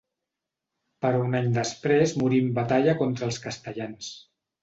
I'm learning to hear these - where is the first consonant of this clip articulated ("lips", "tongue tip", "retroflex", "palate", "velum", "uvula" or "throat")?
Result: lips